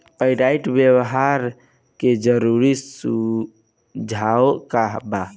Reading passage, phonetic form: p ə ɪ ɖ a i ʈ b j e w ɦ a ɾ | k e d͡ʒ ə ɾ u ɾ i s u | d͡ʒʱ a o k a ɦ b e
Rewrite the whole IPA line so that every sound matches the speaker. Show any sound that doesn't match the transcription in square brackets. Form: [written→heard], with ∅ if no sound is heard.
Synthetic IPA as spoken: p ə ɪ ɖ a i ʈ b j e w ɦ a ɾ | k e d͡ʒ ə ɾ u ɾ i s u | d͡ʒʱ a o k a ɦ b [e→a]